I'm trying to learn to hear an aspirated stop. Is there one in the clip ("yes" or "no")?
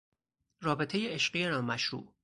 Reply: yes